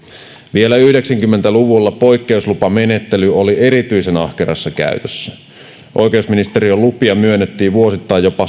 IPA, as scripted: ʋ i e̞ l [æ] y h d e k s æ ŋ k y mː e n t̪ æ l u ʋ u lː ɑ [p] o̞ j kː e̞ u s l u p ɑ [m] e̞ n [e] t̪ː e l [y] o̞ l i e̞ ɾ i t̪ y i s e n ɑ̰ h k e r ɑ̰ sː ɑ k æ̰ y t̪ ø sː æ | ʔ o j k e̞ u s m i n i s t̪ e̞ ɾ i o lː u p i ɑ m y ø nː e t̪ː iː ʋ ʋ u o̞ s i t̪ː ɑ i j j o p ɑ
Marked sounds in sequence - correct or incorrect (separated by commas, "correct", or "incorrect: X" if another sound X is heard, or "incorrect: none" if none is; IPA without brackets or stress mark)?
correct, correct, correct, correct, correct